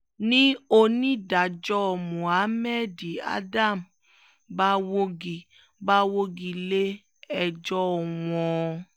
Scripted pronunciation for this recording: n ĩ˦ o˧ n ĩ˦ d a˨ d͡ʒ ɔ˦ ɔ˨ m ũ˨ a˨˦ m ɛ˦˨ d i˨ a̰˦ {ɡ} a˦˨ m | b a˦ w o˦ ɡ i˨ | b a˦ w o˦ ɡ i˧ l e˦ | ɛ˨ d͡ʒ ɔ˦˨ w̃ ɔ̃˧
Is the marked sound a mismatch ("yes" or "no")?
yes